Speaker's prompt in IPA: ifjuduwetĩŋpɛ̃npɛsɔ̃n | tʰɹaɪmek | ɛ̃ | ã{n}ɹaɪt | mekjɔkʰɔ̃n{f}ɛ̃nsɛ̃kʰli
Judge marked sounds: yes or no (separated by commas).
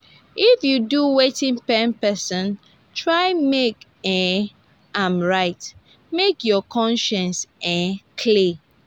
no, no